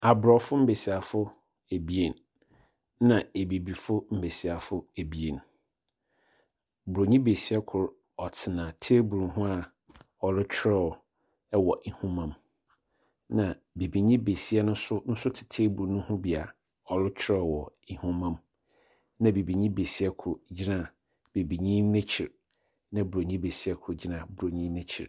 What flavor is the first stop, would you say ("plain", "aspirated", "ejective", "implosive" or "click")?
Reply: plain